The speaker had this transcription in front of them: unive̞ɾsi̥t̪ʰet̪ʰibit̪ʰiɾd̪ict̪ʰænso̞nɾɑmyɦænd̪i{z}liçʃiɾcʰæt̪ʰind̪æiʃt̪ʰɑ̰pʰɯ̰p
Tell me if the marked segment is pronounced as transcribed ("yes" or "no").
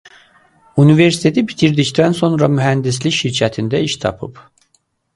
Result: no